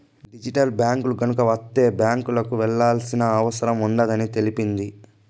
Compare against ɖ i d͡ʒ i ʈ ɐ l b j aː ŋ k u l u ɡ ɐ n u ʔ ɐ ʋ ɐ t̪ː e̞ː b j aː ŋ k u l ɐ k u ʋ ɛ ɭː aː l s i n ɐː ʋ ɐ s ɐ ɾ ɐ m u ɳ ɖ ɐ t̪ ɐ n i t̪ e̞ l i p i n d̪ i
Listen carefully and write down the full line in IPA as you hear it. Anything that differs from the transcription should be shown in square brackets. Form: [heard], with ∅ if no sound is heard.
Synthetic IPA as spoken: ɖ i d͡ʒ i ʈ ɐ l b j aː ŋ k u l u ɡ ɐ n u [k] ɐ ʋ ɐ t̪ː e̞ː b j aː ŋ k u l ɐ k u ʋ ɛ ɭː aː l s i n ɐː ʋ ɐ s ɐ ɾ ɐ m u ɳ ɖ ɐ [d̪] ɐ n i t̪ e̞ l i p i n d̪ i